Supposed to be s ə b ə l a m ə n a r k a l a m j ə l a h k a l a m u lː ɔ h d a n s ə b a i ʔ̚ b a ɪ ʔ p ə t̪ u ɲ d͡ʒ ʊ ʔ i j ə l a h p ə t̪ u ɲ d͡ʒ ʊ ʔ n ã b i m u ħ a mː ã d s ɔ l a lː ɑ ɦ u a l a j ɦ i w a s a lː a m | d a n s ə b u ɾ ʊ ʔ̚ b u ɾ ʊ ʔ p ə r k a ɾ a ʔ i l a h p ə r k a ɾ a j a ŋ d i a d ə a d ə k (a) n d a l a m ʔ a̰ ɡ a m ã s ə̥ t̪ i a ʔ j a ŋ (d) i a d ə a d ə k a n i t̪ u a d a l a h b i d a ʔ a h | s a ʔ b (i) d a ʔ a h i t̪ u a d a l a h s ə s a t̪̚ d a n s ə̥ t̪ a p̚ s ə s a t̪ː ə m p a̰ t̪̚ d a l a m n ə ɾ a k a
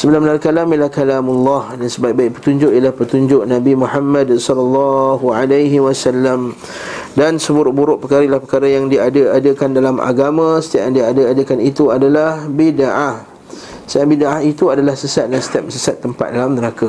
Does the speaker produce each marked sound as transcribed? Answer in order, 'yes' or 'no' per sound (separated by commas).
yes, yes, yes